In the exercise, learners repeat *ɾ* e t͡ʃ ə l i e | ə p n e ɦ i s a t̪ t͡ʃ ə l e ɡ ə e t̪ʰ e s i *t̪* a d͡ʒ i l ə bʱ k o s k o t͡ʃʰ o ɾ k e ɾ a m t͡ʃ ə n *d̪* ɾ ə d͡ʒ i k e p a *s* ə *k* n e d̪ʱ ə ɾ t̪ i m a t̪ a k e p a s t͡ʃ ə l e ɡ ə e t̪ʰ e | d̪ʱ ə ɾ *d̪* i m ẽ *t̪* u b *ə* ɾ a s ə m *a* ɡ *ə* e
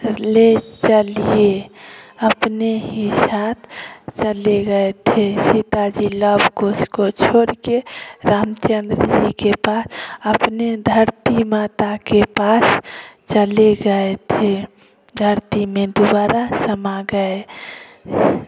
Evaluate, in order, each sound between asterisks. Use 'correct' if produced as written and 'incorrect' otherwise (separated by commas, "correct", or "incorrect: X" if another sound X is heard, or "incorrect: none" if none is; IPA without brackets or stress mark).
incorrect: l, correct, correct, correct, incorrect: p, incorrect: t̪, incorrect: d̪, incorrect: a, correct, correct